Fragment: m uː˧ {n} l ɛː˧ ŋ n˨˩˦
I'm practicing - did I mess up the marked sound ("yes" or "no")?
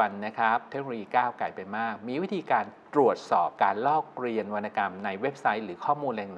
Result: no